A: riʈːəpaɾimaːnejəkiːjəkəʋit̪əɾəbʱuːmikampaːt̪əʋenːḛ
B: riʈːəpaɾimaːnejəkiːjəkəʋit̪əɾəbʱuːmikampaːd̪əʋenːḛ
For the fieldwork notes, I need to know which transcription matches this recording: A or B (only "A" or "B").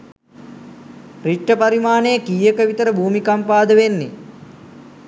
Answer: B